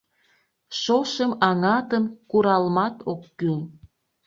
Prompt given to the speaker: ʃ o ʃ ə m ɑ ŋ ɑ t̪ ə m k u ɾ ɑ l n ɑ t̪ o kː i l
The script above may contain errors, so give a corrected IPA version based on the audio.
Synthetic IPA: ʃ o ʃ ə m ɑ ŋ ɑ t̪ ə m k u ɾ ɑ l m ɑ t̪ o kː y l